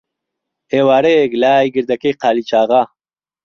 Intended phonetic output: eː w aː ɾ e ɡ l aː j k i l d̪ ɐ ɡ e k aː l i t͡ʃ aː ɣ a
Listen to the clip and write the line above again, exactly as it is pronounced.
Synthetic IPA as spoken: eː w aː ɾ e ɡ l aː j ɡ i ɾ d̪ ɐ k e q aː l i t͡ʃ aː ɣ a